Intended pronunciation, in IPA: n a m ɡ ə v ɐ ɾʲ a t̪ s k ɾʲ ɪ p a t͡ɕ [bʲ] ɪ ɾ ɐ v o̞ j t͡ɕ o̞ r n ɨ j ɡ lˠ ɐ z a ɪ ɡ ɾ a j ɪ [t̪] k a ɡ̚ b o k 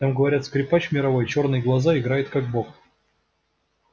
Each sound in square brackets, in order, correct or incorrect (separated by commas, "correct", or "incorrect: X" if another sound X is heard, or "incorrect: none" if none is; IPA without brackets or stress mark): incorrect: mʲ, correct